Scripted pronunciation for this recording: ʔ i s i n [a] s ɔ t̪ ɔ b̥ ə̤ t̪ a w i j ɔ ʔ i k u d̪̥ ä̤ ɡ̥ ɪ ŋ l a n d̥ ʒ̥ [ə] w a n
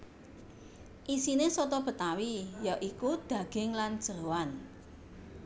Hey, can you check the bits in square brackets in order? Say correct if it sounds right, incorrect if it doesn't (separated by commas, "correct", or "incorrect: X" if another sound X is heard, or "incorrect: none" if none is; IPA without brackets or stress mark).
incorrect: e, correct